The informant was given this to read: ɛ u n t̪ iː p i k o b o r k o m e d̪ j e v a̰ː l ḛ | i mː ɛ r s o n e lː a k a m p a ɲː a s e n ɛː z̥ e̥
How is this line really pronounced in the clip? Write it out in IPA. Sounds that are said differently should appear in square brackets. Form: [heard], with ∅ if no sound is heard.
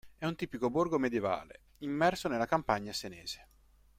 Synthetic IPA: ɛ u n t̪ iː p i k o b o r [ɡ] o m e d̪ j e v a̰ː l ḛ | i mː ɛ r s o n e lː a k a m p a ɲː a s e n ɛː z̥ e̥